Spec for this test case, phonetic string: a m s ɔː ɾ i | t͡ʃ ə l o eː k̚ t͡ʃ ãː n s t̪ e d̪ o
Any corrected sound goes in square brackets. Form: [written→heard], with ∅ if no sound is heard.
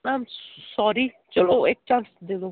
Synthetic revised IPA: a m s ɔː ɾ i | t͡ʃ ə l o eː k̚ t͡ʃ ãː n s [t̪→d̪] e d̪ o